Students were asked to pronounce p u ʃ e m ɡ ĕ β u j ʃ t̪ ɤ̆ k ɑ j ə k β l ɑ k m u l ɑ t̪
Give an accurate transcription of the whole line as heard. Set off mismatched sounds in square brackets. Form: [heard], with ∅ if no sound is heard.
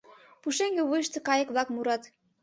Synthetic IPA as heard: p u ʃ e [ŋ] ɡ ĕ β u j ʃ t̪ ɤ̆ k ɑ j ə k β l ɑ k m u [ɾ] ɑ t̪